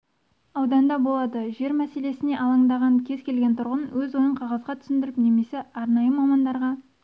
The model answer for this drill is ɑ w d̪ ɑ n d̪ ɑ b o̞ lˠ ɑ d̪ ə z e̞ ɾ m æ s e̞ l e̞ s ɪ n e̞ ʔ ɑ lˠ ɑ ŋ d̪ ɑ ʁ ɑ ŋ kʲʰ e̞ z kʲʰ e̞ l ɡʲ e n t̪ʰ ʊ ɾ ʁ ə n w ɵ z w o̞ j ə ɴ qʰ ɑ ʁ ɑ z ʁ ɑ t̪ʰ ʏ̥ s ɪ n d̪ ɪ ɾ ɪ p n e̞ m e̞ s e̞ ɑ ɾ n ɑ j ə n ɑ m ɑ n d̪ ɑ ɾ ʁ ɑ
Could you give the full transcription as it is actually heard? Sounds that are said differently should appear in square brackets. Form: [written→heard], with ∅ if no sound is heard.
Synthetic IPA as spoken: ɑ w d̪ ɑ n d̪ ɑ b o̞ lˠ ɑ d̪ ə [z→ʒ] e̞ ɾ m æ s e̞ l e̞ s ɪ n e̞ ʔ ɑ lˠ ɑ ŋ d̪ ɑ ʁ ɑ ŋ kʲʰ e̞ z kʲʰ e̞ l ɡʲ e n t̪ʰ ʊ ɾ ʁ ə n w ɵ z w o̞ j ə ɴ qʰ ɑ ʁ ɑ z ʁ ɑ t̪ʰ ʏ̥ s ɪ n d̪ ɪ ɾ ɪ p n e̞ m e̞ s e̞ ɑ ɾ n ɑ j ə [n→m] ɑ m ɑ n d̪ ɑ ɾ ʁ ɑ